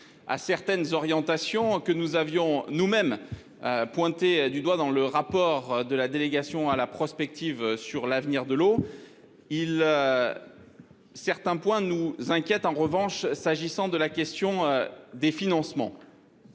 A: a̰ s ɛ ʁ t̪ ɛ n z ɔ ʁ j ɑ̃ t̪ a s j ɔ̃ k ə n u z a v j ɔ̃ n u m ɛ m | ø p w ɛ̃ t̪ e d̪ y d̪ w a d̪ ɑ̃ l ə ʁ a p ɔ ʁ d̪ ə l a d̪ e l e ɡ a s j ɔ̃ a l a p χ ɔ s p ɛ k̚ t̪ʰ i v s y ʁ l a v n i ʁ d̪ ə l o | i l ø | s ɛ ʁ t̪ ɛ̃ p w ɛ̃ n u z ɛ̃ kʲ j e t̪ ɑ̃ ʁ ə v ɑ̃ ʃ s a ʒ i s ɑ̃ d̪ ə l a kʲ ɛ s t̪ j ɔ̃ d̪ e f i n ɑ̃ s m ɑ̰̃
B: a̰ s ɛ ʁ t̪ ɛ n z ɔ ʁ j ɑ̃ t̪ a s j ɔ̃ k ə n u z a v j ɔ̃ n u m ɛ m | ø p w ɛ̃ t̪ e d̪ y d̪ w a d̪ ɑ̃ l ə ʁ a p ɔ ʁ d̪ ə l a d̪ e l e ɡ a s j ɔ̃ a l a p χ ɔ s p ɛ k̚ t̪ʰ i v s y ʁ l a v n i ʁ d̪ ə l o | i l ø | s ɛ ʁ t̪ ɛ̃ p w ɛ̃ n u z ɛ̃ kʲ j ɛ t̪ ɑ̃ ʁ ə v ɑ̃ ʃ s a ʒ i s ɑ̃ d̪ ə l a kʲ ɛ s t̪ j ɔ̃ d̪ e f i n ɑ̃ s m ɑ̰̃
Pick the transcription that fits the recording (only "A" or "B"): B